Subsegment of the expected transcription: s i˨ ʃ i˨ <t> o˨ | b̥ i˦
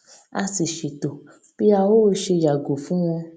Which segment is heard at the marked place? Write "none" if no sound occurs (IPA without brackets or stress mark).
t